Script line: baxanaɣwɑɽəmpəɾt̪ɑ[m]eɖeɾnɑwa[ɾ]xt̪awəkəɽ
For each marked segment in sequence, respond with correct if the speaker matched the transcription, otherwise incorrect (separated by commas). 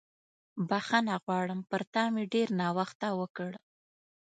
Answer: correct, incorrect